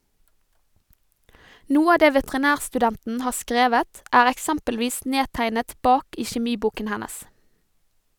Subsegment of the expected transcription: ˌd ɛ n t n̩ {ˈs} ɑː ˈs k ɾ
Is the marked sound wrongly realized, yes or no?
yes